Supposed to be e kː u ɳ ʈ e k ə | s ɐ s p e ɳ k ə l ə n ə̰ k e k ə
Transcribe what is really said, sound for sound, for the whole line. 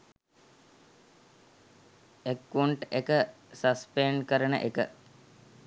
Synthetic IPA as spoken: e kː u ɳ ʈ e k ə | s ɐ s p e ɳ k ə ɾ ə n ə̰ ʔ e k ə